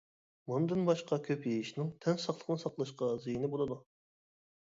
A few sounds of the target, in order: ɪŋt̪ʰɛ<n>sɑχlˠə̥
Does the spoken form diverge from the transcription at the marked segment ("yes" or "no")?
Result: no